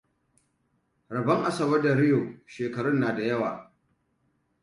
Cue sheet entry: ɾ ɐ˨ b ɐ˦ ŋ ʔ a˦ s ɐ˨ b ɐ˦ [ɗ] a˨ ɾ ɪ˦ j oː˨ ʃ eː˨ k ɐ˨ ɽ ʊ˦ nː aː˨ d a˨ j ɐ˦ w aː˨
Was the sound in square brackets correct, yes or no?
no